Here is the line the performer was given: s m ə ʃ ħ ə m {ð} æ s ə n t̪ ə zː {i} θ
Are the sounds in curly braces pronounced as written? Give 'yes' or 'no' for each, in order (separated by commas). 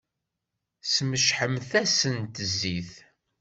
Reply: no, yes